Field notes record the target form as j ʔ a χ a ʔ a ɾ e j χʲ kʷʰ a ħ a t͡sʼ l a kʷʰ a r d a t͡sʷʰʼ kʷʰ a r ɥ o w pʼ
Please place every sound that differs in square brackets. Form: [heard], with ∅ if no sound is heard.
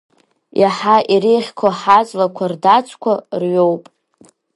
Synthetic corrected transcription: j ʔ a [ħ] a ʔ [i] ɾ e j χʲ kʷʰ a ħ a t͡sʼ l a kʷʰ a r d a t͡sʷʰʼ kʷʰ a r ɥ o w pʼ